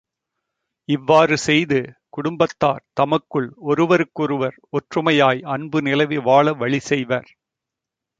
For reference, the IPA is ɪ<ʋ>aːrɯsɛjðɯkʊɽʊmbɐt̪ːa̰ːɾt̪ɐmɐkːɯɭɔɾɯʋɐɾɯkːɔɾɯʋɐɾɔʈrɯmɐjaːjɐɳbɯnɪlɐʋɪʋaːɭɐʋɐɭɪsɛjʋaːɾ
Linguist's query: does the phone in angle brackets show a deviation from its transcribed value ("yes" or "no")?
yes